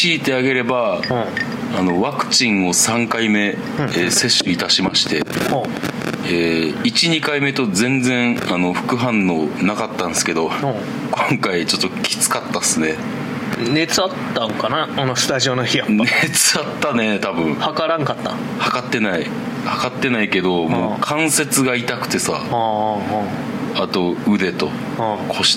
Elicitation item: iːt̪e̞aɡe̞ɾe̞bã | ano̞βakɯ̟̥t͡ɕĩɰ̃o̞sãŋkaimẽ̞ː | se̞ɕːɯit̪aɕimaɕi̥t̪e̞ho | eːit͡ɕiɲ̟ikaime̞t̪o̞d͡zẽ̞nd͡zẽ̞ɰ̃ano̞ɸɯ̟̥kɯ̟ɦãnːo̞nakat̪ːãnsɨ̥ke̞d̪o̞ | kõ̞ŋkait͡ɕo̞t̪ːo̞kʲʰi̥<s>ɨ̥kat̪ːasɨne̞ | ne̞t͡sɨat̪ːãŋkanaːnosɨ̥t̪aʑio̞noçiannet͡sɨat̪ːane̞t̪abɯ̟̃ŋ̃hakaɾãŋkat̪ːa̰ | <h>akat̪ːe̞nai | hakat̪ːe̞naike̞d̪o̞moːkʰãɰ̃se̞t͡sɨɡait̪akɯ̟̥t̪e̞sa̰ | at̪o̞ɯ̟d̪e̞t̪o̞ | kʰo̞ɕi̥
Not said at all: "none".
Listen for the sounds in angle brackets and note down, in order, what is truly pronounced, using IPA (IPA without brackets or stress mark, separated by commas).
t͡s, h